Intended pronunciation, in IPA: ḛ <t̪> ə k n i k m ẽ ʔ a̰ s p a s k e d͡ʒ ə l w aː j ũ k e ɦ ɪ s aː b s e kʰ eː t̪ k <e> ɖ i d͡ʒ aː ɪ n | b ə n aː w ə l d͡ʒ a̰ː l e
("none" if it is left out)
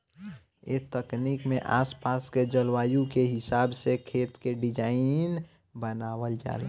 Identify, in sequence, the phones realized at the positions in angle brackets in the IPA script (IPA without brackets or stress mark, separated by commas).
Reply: t̪, e